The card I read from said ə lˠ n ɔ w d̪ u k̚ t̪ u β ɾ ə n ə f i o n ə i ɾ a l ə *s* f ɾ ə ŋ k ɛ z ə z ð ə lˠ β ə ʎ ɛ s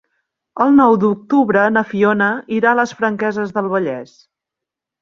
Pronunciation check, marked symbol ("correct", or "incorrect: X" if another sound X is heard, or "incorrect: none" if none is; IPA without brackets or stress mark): correct